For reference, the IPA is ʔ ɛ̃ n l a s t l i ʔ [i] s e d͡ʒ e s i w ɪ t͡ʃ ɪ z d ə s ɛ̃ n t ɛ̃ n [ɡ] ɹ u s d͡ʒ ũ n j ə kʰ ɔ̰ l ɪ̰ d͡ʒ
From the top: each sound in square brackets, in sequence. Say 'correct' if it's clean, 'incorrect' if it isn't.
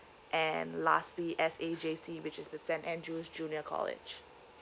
incorrect: ɛ, incorrect: d

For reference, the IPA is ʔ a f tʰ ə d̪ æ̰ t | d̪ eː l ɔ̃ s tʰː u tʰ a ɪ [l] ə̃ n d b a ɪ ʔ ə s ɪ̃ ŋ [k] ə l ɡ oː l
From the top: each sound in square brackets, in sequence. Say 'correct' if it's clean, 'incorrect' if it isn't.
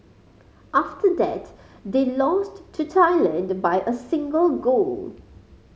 correct, incorrect: ɡ

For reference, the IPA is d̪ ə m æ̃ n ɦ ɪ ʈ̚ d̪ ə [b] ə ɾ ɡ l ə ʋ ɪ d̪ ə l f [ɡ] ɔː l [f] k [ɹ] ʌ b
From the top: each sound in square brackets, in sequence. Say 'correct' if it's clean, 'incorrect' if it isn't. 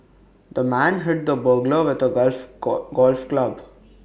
correct, correct, correct, incorrect: l

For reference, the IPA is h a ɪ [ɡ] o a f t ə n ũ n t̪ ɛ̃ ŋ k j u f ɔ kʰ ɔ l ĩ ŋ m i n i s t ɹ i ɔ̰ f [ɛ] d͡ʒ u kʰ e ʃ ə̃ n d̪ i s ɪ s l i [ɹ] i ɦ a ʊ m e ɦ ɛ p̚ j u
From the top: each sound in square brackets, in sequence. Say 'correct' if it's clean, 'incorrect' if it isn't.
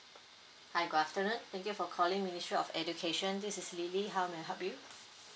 correct, correct, incorrect: l

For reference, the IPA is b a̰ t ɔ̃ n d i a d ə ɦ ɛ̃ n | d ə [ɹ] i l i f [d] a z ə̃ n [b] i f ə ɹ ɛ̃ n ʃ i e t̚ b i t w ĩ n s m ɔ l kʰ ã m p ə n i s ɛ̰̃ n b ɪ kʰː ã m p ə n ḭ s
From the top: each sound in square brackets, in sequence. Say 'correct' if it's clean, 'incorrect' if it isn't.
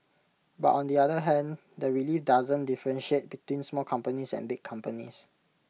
correct, correct, incorrect: d

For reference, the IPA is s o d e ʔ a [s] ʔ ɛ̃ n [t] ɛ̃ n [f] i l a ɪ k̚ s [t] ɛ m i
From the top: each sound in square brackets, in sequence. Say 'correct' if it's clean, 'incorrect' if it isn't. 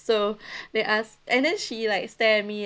correct, incorrect: d, incorrect: ʃ, correct

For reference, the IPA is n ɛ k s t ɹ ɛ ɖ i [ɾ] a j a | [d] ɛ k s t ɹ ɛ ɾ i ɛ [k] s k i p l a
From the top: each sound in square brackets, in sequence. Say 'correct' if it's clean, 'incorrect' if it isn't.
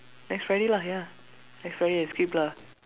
incorrect: l, incorrect: n, incorrect: none

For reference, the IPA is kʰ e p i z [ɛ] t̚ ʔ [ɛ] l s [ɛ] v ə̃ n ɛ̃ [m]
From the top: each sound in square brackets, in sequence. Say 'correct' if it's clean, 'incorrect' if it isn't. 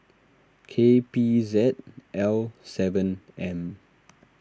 correct, correct, correct, correct

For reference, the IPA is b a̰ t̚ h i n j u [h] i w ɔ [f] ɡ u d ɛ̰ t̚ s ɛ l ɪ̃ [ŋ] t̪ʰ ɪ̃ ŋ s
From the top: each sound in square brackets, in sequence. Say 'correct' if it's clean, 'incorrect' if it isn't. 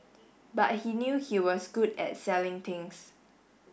correct, incorrect: s, correct

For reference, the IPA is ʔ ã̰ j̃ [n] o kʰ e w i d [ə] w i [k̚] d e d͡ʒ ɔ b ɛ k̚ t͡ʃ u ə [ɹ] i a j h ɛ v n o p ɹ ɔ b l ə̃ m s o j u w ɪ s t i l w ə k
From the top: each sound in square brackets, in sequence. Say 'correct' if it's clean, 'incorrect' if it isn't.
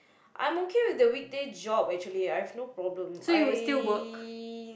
incorrect: m, correct, correct, incorrect: l

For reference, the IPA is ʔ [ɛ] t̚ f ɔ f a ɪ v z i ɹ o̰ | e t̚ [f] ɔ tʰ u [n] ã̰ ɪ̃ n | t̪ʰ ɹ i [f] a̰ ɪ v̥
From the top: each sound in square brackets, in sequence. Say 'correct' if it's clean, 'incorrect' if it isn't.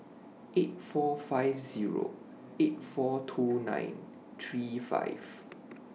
incorrect: e, correct, correct, correct

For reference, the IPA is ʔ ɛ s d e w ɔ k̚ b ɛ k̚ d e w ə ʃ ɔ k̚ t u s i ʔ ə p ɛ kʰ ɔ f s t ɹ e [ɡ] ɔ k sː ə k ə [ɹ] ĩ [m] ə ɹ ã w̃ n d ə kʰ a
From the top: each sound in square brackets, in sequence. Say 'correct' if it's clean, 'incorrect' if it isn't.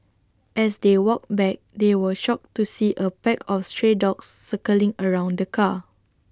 incorrect: d, incorrect: l, incorrect: ŋ

